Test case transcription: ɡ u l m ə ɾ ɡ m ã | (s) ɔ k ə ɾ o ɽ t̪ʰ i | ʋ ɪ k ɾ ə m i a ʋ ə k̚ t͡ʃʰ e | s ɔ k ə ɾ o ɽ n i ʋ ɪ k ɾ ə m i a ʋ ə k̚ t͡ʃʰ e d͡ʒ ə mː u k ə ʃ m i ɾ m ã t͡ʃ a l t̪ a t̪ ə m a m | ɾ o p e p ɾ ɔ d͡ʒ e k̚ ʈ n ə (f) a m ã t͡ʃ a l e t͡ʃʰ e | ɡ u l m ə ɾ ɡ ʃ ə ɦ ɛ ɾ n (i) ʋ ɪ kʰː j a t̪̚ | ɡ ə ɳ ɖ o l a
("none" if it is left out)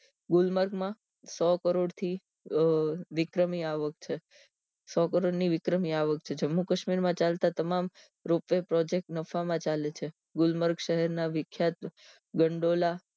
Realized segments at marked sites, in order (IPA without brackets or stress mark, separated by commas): s, f, a